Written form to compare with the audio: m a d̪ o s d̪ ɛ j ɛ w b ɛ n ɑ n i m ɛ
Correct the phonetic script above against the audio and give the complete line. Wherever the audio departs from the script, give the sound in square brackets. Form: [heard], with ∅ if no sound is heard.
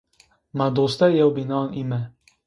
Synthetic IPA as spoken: m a d̪ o s [t̪] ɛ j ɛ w b [i] n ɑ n i m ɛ